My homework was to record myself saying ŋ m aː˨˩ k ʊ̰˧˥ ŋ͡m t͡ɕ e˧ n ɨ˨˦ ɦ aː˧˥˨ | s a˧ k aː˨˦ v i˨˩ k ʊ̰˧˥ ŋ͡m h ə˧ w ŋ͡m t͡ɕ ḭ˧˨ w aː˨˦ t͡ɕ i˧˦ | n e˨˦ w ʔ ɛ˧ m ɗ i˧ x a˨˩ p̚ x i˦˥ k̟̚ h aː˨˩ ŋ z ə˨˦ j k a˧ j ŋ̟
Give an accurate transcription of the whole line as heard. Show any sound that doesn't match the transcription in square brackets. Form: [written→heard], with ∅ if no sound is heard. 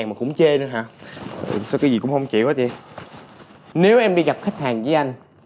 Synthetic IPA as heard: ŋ m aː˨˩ k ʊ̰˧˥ ŋ͡m t͡ɕ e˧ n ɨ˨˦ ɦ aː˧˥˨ | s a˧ k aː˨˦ [v→z] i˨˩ k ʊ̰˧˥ ŋ͡m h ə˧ w ŋ͡m t͡ɕ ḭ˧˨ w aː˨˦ t͡ɕ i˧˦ | n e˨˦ w ʔ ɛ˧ m ɗ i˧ [x→ɣ] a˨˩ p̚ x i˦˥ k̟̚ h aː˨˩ ŋ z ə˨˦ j [k→ʔ] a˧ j ŋ̟